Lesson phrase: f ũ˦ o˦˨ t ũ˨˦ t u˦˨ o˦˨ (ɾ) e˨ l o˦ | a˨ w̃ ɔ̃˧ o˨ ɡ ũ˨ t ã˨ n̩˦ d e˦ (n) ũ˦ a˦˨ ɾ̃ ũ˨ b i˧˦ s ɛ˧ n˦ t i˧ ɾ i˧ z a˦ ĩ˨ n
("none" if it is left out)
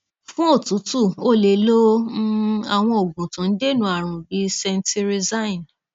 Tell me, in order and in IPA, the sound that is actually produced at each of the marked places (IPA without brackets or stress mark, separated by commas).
l, n